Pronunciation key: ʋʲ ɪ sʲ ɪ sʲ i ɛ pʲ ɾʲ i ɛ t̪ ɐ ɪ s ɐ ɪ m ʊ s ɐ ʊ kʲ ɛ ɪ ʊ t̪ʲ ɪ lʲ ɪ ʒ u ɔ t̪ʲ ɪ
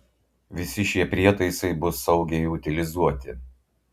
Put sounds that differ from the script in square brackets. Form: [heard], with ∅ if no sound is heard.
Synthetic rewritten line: ʋʲ ɪ sʲ ɪ [ʃʲ] i ɛ pʲ ɾʲ i ɛ t̪ ɐ ɪ s ɐ ɪ [b] ʊ s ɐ ʊ [ɡʲ] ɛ ɪ ʊ t̪ʲ ɪ lʲ ɪ [z] u ɔ t̪ʲ ɪ